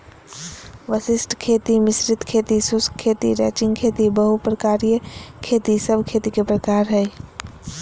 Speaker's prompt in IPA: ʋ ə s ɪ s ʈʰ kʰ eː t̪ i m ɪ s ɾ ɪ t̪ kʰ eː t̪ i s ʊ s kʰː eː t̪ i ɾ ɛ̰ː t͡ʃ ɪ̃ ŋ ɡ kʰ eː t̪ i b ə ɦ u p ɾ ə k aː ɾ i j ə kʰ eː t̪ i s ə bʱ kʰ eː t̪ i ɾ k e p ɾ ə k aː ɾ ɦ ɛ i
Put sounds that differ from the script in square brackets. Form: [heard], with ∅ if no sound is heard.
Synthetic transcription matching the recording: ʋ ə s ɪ s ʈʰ kʰ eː t̪ i m ɪ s ɾ ɪ t̪ kʰ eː t̪ i s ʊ s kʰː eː t̪ i ɾ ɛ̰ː t͡ʃ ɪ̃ ŋ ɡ kʰ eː t̪ i b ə ɦ u p ɾ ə k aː ɾ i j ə kʰ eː t̪ i s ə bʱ kʰ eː t̪ i [∅] k e p ɾ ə k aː ɾ ɦ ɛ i